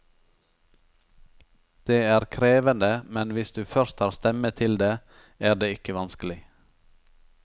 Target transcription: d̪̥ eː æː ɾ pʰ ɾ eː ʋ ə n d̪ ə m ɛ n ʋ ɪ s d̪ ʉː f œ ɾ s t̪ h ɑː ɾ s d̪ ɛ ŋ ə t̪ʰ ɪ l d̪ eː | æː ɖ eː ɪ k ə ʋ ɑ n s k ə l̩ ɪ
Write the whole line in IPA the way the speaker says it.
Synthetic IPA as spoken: d̪̥ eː æː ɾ kʰ ɾ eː ʋ ə n d̪ ə m ɛ n ʋ ɪ s d̪ ʉː f œ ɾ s t̪ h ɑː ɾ s t̪ ɛ m ə t̪ʰ ɪ l d̪ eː | æː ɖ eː ɪ k ə ʋ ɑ n s k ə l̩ ɪ

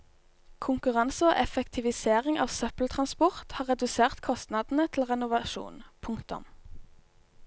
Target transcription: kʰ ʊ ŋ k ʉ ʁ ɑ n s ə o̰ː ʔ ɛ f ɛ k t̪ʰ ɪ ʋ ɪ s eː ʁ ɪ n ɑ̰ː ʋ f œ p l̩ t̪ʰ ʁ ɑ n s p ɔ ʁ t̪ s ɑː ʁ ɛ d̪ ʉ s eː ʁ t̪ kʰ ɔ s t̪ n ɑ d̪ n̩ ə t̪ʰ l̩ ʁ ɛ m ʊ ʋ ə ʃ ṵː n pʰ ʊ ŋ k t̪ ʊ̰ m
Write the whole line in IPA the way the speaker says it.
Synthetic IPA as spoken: kʰ ʊ ŋ k ʉ ʁ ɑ n s ə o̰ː ʔ ɛ f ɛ k t̪ʰ ɪ ʋ ɪ s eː ʁ ɪ ŋ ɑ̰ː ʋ s œ p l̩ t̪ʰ ʁ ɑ n s p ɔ ʁ t̪ h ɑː ʁ ɛ d̪ ʉ s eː ʁ t̪ kʰ ɔ s t̪ n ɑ d̪ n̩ ə t̪ʰ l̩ ʁ ɛ n ʊ ʋ ɑ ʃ ṵː n pʰ ʊ ŋ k t̪ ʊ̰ m

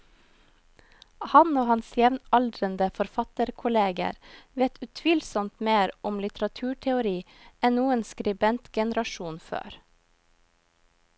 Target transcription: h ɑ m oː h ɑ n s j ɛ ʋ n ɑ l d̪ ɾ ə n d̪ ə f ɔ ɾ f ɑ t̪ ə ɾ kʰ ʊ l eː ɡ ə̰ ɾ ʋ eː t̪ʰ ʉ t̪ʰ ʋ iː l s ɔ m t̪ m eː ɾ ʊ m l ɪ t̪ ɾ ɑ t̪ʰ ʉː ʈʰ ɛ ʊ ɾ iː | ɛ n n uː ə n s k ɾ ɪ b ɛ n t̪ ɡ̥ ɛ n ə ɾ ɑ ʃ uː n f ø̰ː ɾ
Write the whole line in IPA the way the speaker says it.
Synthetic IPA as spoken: h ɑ n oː h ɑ n s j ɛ ʋ n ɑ l d̪ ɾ ə n d̪ ə f ɔ ɾ f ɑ t̪ ə ɾ kʰ ʊ l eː ɡ ə̰ ɾ ʋ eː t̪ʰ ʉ t̪ʰ ʋ iː l s ɔ m t̪ m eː ɾ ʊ m l ɪ t̪ ɾ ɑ t̪ʰ ʉː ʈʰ ɛ ʊ ɾ iː | ɛ n n uː ə n s k ɾ ɪ b ɛ n t̪ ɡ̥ ɛ n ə ɾ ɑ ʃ uː n f ø̰ː ɾ

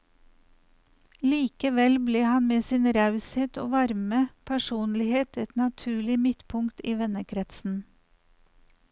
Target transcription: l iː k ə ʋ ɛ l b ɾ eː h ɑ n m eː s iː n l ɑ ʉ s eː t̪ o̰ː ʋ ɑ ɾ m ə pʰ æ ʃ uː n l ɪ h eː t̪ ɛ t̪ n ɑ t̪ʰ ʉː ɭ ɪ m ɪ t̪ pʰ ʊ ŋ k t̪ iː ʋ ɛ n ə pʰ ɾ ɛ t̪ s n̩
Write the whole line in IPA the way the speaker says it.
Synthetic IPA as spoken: l iː k ə ʋ ɛ l b l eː h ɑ n m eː s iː n ɾ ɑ ʉ s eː t̪ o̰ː ʋ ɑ ɾ m ə pʰ æ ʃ uː n l ɪ h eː t̪ ɛ t̪ n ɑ t̪ʰ ʉː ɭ ɪ m ɪ t̪ pʰ ʊ ŋ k t̪ iː ʋ ɛ n ə kʰ ɾ ɛ t̪ s n̩

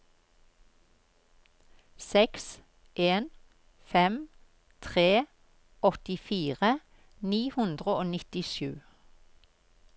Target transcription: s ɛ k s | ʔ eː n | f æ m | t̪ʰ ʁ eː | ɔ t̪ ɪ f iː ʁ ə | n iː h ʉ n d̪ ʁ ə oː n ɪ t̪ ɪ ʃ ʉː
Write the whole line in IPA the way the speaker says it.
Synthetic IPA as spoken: s ɛ k s | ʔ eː n | f ɛ m | t̪ʰ ʁ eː | ɔ t̪ ɪ f iː ʁ ə | n iː h ʉ n d̪ ʁ ə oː n ɪ t̪ ɪ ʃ ʉː

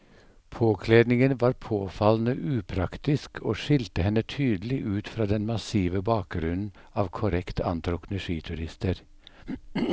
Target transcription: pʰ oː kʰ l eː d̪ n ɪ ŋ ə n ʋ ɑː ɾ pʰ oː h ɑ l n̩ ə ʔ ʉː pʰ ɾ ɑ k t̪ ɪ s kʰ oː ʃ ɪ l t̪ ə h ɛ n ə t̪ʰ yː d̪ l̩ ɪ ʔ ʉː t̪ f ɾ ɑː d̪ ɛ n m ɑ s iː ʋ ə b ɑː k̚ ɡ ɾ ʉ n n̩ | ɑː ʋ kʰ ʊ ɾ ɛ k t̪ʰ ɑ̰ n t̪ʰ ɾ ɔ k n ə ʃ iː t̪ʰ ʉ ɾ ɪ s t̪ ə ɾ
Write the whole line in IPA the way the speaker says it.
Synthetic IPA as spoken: pʰ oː kʰ l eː d̪ n ɪ ŋ ə n ʋ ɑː ɾ pʰ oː f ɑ l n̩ ə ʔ ʉː pʰ ɾ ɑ k t̪ ɪ s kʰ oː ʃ ɪ l t̪ ə h ɛ n ə t̪ʰ yː d̪ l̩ ɪ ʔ ʉː t̪ f ɾ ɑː d̪ ɛ n m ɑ s iː ʋ ə b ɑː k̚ ɡ ɾ ʉ n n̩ | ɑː ʋ kʰ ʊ ɾ ɛ k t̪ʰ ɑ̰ n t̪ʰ ɾ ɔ k n ə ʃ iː t̪ʰ ʉ ɾ ɪ s t̪ ə ɾ

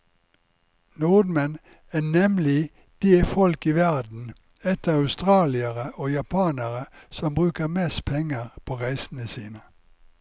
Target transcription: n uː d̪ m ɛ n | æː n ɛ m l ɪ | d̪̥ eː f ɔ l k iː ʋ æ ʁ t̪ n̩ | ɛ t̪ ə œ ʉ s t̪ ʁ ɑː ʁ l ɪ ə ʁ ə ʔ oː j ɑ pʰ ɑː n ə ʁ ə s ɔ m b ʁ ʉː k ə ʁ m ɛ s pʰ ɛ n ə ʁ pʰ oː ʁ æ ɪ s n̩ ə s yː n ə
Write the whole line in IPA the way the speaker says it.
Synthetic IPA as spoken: n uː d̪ m ɛ n | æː n ɛ m l ɪ | d̪̥ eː f ɔ l k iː ʋ æ ʁ d̪ n̩ | ɛ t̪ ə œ ʉ s t̪ ʁ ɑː l ɪ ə ʁ ə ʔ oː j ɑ pʰ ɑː n ə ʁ ə s ɔ m b ʁ ʉː k ə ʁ m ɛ s pʰ ɛ ŋ ə ʁ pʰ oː ʁ æ ɪ s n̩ ə s iː n ə

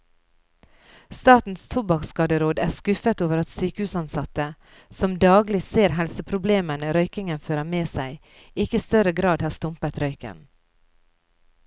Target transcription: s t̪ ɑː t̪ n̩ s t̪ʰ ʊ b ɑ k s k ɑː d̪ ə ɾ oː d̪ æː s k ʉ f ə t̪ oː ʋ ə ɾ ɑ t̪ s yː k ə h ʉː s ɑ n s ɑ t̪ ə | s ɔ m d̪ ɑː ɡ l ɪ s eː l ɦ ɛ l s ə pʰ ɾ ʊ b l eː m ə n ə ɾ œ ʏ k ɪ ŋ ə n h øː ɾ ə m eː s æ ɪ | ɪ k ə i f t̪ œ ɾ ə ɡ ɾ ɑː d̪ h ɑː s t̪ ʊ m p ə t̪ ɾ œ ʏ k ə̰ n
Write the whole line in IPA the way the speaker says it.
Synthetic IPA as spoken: s t̪ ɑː t̪ n̩ s t̪ʰ ʊ b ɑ k s k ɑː d̪ ə ɾ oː d̪ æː s k ʉ f ə t̪ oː ʋ ə ɾ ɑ t̪ s yː k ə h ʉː s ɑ n s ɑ t̪ ə | s ɔ m d̪ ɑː ɡ l ɪ s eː ɾ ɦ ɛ l s ə pʰ ɾ ʊ b l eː m ə n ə ɾ œ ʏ k ɪ ŋ ə n f øː ɾ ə m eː s æ ɪ | ɪ k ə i s t̪ œ ɾ ə ɡ ɾ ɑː d̪ h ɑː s t̪ ʊ m p ə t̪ ɾ œ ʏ k ə̰ n

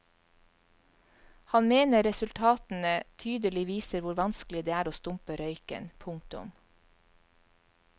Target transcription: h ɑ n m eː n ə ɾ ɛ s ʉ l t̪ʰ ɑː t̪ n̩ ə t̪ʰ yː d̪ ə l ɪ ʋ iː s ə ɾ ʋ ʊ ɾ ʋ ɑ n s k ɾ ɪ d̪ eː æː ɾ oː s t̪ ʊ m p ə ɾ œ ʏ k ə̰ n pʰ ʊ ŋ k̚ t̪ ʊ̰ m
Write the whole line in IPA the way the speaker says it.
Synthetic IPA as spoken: h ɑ n m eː n ə ɾ ɛ s ʉ l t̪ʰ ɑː t̪ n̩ ə t̪ʰ yː d̪ ə l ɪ ʋ iː s ə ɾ ʋ ʊ ɾ ʋ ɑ n s k l ɪ d̪ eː æː ɾ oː s t̪ ʊ m p ə ɾ œ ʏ k ə̰ n pʰ ʊ ŋ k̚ t̪ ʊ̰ m

